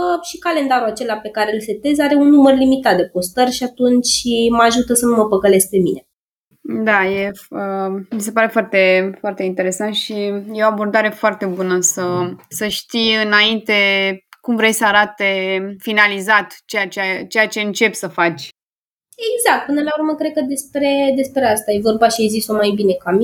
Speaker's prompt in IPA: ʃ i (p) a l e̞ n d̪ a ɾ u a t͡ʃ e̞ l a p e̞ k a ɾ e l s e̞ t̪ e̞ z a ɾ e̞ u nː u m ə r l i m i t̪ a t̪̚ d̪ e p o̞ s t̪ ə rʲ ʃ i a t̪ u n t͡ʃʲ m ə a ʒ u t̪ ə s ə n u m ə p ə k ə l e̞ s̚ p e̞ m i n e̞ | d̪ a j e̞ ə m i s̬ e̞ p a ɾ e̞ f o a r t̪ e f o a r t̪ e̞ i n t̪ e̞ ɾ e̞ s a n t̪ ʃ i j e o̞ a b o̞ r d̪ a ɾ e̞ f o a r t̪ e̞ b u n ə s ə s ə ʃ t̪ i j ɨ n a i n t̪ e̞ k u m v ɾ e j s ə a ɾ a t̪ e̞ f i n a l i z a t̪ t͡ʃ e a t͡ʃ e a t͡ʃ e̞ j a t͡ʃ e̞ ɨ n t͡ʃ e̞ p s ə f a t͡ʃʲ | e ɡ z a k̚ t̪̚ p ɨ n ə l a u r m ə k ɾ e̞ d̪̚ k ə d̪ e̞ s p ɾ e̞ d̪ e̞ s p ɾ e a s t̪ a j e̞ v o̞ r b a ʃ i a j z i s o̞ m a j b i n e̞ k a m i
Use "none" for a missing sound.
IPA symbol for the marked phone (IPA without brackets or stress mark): k